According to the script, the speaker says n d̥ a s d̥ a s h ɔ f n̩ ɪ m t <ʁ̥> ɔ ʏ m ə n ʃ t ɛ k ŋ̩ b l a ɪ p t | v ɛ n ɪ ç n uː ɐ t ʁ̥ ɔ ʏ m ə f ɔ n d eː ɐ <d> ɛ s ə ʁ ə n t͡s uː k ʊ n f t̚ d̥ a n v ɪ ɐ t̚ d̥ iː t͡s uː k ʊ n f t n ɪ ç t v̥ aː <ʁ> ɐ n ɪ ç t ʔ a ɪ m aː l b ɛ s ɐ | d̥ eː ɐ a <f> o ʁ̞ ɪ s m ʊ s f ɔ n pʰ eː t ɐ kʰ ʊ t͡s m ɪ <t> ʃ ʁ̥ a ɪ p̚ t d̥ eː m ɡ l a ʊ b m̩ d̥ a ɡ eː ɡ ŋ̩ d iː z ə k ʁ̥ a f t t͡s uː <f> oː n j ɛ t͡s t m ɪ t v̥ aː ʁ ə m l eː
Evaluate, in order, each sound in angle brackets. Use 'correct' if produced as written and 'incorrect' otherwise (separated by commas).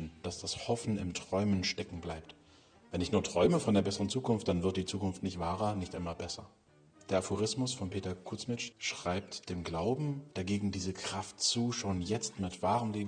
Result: correct, incorrect, correct, correct, incorrect, incorrect